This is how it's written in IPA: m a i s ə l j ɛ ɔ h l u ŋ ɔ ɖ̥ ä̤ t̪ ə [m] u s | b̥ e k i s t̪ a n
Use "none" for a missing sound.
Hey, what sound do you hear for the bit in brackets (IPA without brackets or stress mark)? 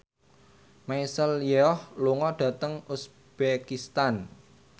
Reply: ŋ